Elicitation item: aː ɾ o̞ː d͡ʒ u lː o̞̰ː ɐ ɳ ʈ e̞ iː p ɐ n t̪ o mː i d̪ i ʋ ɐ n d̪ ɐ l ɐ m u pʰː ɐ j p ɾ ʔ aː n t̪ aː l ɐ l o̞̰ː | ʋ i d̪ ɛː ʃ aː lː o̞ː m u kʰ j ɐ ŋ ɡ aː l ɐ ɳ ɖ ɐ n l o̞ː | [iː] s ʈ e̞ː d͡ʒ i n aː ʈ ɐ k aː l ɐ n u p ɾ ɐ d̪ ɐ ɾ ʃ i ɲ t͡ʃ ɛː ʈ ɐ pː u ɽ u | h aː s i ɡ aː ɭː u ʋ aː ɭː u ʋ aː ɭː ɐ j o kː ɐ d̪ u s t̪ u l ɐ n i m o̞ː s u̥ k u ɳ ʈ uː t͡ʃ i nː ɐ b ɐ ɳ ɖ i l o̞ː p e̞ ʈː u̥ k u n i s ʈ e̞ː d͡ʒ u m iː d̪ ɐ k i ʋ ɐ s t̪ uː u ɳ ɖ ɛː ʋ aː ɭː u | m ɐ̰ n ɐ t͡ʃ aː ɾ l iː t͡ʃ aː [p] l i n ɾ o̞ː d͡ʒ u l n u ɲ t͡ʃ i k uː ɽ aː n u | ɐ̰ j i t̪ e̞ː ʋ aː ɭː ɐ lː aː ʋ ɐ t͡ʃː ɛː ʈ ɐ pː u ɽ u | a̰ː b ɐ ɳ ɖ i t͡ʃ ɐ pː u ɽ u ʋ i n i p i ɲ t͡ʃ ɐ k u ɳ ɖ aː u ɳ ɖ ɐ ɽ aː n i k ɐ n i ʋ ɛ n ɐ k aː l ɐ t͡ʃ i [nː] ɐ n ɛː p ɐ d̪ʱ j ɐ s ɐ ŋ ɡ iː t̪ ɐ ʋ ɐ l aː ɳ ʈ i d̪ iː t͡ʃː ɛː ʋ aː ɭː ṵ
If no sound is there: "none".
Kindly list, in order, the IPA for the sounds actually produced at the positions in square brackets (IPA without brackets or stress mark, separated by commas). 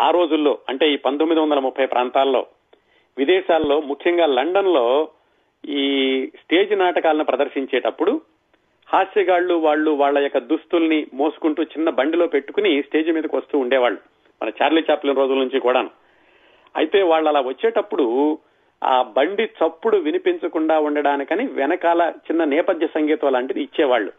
iː, p, nː